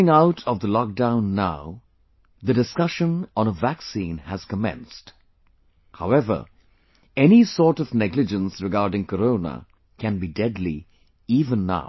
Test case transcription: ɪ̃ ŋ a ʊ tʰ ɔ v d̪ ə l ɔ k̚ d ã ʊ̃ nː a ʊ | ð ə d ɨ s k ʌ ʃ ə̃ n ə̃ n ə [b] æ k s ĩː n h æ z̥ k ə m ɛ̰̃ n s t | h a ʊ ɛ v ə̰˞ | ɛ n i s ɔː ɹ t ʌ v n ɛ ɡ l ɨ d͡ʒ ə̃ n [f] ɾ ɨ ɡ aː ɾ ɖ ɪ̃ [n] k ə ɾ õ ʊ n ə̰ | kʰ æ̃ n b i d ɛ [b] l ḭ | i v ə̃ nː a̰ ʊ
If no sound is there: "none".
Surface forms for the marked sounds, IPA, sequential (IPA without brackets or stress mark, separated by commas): v, s, ŋ, d